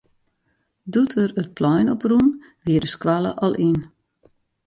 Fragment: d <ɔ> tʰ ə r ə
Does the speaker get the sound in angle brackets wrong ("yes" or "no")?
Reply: yes